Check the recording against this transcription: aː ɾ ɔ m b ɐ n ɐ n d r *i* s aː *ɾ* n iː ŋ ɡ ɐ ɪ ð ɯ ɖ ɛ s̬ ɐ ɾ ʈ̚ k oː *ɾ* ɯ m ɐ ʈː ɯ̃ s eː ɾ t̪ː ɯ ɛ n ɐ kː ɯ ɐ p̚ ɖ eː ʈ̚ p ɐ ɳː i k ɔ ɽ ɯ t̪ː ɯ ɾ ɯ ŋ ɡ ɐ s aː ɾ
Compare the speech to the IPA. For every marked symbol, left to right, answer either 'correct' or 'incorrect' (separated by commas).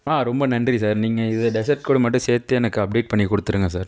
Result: correct, correct, incorrect